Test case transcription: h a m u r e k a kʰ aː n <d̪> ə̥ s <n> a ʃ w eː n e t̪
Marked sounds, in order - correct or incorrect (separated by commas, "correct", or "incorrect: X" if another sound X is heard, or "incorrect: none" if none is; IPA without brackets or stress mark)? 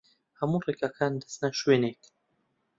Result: correct, correct